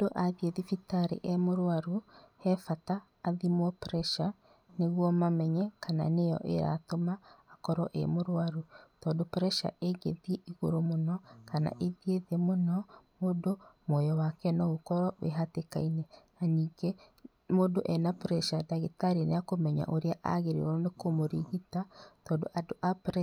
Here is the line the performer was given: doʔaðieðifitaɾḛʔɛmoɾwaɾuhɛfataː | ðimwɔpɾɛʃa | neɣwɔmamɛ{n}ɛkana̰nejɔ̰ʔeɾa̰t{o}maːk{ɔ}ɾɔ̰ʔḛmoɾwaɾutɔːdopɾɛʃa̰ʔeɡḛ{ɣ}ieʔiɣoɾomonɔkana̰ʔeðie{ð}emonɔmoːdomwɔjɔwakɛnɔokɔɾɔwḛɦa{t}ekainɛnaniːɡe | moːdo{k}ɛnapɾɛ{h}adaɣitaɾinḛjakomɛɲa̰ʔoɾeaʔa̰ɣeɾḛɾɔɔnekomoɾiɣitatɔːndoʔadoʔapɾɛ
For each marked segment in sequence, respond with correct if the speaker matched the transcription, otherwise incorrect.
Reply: incorrect, correct, correct, incorrect, correct, correct, incorrect, incorrect

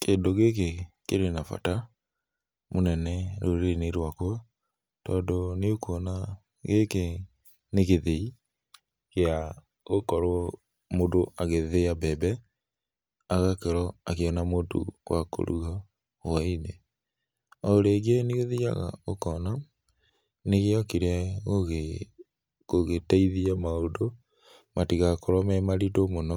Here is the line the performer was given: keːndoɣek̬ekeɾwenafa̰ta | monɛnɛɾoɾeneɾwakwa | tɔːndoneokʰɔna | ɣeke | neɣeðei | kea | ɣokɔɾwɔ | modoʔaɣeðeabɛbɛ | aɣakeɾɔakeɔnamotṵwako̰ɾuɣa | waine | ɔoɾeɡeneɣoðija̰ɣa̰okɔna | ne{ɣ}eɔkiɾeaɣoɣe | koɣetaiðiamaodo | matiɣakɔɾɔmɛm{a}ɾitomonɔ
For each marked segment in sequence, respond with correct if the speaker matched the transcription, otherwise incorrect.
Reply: correct, correct

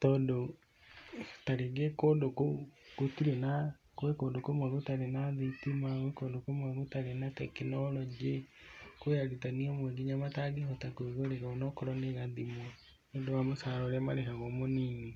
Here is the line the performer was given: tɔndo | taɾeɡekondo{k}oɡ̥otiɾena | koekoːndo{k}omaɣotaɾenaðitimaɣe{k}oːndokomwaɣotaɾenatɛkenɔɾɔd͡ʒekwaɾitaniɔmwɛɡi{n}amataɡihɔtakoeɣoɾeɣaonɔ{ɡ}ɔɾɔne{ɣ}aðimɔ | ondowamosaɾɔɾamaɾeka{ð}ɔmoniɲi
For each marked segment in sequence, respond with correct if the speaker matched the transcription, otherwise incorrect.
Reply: correct, correct, correct, incorrect, incorrect, correct, incorrect

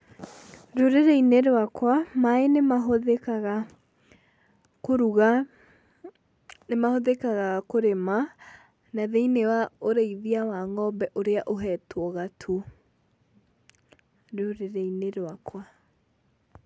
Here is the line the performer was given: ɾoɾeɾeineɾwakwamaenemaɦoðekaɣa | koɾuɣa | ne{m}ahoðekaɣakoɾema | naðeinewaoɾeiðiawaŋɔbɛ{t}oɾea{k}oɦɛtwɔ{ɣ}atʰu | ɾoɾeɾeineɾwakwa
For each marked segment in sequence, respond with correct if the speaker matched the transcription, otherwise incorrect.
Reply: correct, incorrect, incorrect, correct

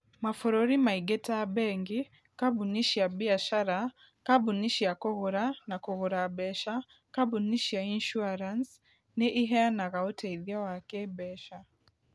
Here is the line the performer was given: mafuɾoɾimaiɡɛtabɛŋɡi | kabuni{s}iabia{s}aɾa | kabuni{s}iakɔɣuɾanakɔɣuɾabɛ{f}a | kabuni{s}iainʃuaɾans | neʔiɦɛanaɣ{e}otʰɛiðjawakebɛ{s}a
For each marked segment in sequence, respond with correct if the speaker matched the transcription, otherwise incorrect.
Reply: incorrect, incorrect, incorrect, incorrect, incorrect, incorrect, incorrect

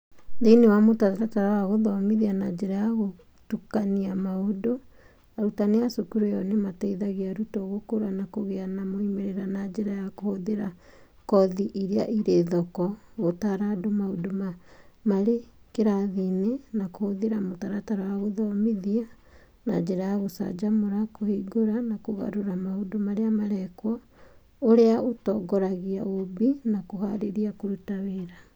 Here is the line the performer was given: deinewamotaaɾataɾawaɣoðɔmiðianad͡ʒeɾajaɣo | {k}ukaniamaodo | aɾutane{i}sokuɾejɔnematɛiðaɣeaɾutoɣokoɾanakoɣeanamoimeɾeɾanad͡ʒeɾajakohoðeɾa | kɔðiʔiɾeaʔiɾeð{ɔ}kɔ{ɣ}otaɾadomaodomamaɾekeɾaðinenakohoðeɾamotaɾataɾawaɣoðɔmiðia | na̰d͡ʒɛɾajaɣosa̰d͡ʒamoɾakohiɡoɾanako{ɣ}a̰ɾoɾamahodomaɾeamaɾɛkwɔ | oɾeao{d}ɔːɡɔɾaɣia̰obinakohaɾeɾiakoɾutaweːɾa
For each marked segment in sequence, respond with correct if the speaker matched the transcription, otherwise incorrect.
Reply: incorrect, incorrect, correct, correct, correct, incorrect

